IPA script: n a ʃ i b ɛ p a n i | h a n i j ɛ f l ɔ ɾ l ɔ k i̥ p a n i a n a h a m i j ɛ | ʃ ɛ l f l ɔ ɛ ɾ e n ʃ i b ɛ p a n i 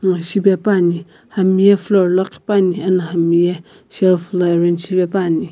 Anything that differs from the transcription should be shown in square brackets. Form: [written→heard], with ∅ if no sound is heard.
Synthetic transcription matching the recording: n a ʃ i b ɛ p a n i | h a [n→m] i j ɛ f l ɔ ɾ l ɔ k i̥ p a n i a n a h a m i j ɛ | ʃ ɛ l f l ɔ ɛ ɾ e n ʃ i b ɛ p a n i